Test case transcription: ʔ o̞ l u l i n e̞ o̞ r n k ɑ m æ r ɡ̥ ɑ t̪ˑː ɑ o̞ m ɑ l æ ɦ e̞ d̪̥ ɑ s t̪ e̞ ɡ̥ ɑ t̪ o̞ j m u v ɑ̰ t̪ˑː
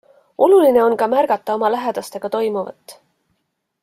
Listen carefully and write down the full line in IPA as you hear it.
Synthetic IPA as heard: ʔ o̞ l u l i n e̞ o̞ n k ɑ m æ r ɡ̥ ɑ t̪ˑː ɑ o̞ m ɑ l æ ɦ e̞ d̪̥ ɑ s t̪ e̞ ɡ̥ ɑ t̪ o̞ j m u v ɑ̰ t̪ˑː